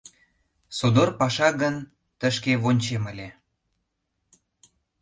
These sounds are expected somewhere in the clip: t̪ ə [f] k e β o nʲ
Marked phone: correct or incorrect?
incorrect